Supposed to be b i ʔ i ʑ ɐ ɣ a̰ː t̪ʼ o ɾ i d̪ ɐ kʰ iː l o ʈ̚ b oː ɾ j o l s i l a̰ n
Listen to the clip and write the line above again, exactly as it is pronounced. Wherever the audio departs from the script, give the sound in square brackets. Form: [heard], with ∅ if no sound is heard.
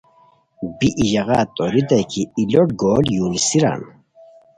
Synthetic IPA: b i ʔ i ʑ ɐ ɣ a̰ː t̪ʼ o ɾ i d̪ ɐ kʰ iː l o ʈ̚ [ɡ] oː [l] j [u] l s i [ɾ] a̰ n